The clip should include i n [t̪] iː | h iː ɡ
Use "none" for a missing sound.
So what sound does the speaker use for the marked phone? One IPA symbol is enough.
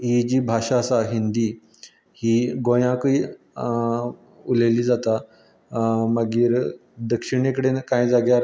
d̪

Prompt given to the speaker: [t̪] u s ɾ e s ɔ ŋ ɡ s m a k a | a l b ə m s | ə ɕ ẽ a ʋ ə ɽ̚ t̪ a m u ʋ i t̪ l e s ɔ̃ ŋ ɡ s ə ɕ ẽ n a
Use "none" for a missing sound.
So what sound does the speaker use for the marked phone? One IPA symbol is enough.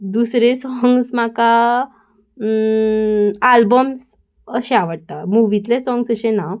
d̪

